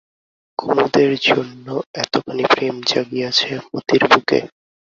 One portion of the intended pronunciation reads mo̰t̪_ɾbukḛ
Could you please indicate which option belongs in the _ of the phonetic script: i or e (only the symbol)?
i